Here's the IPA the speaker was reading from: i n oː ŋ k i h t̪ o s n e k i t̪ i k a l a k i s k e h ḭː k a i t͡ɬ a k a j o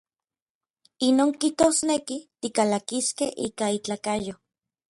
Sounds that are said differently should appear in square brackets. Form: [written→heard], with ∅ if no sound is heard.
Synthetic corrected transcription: i n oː ŋ k i h t̪ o s n e k i t̪ i k a l a k i s k e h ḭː k a i t͡ɬ a k a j o

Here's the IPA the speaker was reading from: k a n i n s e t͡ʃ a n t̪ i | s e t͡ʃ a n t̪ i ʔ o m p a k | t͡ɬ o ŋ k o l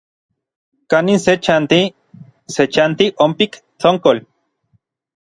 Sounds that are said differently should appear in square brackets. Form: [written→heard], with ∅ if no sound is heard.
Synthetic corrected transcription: k a n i n s e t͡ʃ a n t̪ i | s e t͡ʃ a n t̪ i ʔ o m p [a→i] k | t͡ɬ o ŋ k o l

